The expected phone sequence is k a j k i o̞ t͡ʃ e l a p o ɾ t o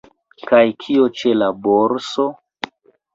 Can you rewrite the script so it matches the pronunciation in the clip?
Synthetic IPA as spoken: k a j kʰ i o̞ t͡ʃ e l a b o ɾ s o